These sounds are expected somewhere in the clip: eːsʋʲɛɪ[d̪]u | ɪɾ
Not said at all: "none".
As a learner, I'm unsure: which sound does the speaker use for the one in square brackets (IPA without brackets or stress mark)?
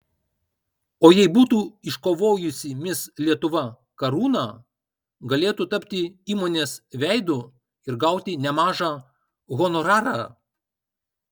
d̪